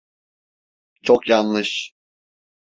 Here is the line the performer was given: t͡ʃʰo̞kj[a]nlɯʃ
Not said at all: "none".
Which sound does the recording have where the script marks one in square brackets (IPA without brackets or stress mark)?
a